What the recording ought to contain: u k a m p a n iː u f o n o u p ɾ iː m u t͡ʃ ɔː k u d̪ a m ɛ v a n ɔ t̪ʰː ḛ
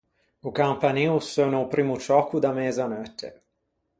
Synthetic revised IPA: u k a m p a n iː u s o n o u p ɾ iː m u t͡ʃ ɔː k u d̪ a m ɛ z a n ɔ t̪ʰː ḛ